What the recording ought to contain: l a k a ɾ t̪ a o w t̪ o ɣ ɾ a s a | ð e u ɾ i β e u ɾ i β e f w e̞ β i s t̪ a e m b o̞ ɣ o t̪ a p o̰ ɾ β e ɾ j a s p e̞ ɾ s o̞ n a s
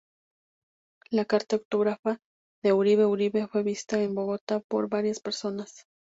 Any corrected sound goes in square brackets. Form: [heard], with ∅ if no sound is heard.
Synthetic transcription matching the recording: l a k a ɾ t̪ a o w t̪ o ɣ ɾ a [f] a | ð e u ɾ i β e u ɾ i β e f w e̞ β i s t̪ a e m b o̞ ɣ o t̪ a p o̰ ɾ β [a] ɾ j a s p e̞ ɾ s o̞ n a s